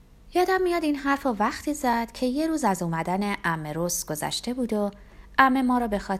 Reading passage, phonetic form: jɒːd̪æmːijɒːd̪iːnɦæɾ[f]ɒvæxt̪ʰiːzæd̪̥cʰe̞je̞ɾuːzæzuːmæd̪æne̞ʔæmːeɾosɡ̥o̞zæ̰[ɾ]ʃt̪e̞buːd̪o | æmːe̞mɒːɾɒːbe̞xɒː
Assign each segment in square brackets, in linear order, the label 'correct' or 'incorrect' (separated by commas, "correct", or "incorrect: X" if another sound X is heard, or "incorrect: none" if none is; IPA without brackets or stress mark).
correct, incorrect: none